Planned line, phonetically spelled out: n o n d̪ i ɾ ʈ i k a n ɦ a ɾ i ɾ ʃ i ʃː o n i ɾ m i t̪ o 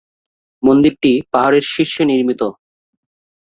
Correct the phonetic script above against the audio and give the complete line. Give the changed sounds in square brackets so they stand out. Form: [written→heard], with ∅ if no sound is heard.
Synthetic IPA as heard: [n→m] o n d̪ i ɾ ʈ i [k→p] a [n→∅] ɦ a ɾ [i→e] ɾ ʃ i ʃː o n i ɾ m i t̪ o